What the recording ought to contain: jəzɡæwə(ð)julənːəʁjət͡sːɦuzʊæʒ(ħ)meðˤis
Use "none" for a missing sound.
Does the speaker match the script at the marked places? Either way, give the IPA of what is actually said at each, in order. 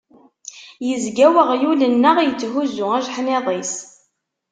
ʁ, ħ

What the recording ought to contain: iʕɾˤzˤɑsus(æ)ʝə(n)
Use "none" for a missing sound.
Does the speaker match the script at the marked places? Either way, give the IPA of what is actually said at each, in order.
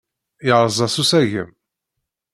æ, m

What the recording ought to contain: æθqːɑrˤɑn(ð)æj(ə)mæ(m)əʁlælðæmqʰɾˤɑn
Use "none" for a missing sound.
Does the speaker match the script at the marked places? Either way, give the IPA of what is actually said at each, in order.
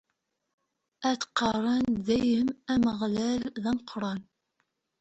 ð, ə, m

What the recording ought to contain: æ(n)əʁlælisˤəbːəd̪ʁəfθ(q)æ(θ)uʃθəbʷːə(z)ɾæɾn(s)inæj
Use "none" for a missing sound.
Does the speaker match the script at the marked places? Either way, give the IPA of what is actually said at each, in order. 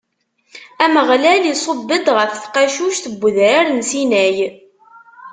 m, q, ʃ, ð, s

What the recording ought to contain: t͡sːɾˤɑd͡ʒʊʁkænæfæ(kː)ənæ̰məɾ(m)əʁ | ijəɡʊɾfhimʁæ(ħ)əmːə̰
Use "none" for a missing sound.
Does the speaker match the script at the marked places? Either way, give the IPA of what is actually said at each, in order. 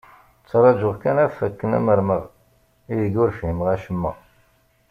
kː, m, ʃ

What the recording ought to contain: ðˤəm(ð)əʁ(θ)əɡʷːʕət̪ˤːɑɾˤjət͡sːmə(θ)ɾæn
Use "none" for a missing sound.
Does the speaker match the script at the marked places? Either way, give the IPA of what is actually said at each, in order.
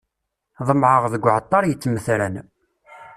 ʕ, ð, θ

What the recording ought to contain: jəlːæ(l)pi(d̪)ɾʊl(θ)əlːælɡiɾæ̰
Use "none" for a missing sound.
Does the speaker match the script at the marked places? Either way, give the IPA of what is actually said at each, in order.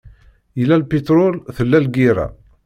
l, t̪, θ

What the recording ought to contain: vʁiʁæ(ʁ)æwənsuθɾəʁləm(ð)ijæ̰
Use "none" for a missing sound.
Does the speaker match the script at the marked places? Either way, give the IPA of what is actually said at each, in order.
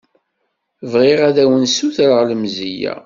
ð, z

